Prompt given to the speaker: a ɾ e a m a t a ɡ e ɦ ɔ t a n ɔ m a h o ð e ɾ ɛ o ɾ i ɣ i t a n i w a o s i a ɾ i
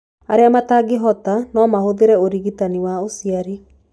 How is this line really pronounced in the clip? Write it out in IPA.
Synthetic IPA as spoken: a ɾ e a m a t a ɡ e ɦ ɔ t a n ɔ m a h o ð e ɾ ɛ o ɾ i ɣ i t a n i w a o s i a ɾ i